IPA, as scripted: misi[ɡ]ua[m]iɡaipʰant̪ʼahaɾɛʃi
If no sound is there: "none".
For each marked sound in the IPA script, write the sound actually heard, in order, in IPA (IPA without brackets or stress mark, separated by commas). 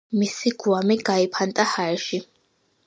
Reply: ɡ, m